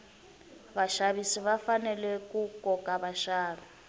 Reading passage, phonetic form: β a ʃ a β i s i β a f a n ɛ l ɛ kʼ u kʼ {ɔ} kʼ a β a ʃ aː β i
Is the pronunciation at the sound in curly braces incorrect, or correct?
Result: correct